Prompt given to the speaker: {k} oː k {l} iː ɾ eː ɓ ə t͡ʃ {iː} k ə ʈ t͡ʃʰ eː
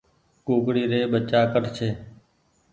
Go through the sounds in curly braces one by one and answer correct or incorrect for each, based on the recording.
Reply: correct, incorrect: ɽ, incorrect: aː

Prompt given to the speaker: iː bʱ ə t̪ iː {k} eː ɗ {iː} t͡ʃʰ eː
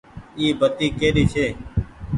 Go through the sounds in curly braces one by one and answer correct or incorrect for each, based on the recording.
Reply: correct, correct

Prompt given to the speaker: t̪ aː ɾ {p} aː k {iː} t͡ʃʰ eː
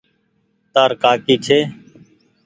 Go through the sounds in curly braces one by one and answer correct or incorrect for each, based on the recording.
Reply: incorrect: k, correct

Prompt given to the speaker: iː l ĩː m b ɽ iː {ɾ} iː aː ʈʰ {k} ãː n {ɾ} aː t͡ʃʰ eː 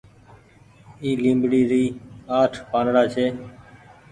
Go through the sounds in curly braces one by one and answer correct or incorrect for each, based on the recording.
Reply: correct, incorrect: p, incorrect: ɽ

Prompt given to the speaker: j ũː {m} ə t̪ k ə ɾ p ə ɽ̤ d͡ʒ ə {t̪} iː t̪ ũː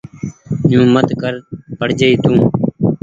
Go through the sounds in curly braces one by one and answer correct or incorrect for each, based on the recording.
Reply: correct, incorrect: none

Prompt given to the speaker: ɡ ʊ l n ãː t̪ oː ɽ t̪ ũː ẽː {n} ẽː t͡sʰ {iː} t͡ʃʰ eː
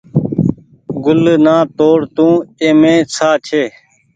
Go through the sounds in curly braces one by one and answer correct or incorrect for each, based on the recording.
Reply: incorrect: m, incorrect: aː

